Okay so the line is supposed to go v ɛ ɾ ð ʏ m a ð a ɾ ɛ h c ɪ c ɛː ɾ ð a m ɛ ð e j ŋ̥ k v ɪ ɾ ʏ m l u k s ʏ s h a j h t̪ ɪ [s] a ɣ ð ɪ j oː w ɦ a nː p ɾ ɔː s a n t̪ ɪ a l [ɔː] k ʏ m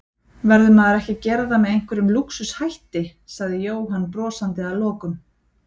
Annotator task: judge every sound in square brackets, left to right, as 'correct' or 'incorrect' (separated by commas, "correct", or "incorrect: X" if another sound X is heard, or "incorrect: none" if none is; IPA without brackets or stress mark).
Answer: correct, correct